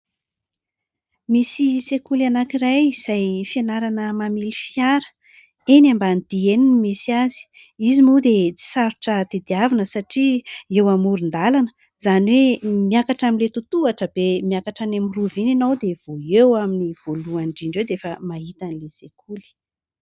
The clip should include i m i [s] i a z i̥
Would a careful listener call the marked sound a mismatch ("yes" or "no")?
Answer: no